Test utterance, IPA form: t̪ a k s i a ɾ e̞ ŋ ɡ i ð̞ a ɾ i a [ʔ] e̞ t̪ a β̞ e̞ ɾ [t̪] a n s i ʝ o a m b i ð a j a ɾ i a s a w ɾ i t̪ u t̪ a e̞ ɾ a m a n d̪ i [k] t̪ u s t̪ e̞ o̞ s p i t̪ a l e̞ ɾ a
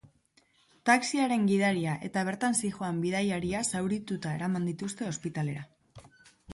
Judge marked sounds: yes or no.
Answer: yes, yes, no

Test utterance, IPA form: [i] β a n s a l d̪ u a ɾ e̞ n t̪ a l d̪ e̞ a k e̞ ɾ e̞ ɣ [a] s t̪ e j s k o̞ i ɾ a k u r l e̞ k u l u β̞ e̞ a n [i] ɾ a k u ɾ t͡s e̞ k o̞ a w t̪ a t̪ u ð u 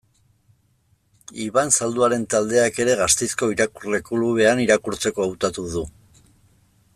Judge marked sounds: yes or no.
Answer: yes, yes, yes

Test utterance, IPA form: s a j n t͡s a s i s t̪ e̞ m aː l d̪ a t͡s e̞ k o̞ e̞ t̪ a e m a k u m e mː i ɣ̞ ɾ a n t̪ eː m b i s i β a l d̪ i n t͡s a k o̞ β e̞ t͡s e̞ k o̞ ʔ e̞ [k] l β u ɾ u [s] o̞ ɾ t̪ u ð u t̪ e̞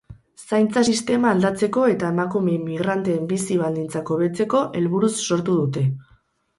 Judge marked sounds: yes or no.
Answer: no, no

